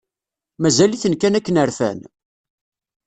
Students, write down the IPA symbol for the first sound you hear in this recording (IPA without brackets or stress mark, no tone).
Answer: m